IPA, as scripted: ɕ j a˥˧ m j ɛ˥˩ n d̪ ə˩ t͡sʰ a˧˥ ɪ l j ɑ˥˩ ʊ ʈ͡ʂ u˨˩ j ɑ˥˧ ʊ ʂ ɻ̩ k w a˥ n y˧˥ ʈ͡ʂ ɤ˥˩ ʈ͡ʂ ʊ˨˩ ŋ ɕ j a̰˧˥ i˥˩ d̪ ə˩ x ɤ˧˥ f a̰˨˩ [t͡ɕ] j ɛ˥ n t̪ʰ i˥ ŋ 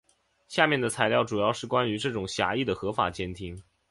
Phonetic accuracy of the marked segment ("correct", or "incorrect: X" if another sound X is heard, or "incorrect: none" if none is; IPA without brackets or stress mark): correct